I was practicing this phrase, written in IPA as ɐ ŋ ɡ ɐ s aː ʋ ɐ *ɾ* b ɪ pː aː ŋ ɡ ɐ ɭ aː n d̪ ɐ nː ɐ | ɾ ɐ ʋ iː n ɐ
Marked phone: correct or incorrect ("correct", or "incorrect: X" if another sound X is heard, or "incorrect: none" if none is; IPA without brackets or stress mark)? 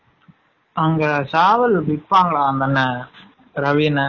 incorrect: l